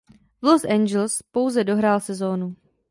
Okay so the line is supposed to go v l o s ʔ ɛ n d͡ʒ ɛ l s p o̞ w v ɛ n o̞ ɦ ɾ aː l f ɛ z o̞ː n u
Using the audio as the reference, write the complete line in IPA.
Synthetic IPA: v l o s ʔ ɛ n d͡ʒ ɛ l s p o̞ w z ɛ d o̞ ɦ ɾ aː l s ɛ z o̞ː n u